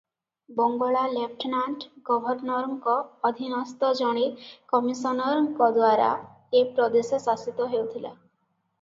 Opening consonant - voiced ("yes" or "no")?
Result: yes